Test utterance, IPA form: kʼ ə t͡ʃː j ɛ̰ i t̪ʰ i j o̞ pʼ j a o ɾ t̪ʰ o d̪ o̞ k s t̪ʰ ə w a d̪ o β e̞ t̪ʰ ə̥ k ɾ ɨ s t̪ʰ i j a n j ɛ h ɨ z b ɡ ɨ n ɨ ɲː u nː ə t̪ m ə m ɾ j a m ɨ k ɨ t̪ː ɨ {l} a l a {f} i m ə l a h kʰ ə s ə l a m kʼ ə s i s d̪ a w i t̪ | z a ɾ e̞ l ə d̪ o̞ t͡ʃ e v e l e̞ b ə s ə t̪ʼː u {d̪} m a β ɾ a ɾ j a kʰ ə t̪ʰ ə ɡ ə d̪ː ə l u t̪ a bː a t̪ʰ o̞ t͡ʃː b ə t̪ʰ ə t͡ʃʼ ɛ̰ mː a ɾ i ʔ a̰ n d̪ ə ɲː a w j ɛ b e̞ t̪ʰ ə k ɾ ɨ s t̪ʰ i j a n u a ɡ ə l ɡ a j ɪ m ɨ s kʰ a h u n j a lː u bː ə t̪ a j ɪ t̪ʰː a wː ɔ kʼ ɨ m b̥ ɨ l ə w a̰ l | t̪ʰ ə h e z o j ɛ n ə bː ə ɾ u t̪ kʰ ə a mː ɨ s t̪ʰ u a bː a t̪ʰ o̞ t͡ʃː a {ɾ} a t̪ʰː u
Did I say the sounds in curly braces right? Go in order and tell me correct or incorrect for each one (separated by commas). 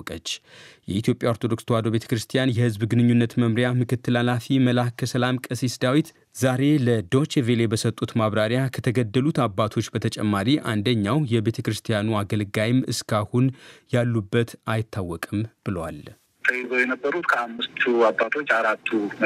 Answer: correct, correct, incorrect, correct